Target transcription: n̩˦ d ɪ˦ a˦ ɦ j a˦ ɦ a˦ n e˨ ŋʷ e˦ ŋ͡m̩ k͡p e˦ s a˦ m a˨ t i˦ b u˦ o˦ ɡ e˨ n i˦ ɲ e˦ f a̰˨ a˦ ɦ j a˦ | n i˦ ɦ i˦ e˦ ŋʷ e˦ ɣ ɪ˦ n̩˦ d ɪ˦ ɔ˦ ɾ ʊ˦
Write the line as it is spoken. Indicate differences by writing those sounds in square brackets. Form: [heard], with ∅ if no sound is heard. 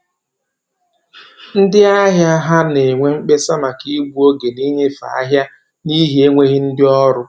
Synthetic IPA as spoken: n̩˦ d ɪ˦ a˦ ɦ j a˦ ɦ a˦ n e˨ ŋʷ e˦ ŋ͡m̩ k͡p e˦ s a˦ m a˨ [k] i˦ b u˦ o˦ ɡ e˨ n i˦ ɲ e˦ f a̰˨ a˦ ɦ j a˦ | n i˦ ɦ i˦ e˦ ŋʷ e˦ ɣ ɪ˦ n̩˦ d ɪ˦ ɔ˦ ɾ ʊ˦